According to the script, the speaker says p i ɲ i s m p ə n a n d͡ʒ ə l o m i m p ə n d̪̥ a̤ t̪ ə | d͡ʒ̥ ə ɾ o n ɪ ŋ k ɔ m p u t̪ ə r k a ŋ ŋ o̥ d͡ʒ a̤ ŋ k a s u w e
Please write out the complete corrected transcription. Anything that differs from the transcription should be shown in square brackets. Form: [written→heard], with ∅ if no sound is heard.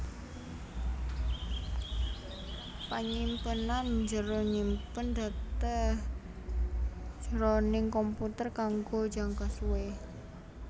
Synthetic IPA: p [i→a] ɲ i [s→∅] m p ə n a n d͡ʒ ə [l→ɾ] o [m→ɲ] i m p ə n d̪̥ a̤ t̪ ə | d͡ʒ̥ ə ɾ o n ɪ ŋ k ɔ m p u t̪ ə r k a ŋ [ŋ→ɡ] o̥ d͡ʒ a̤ ŋ k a s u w e